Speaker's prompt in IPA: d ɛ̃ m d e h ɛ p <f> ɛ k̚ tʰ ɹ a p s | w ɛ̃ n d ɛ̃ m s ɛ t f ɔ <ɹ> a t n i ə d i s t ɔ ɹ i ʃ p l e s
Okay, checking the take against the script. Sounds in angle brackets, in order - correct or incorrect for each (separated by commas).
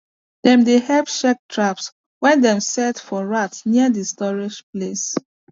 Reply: incorrect, correct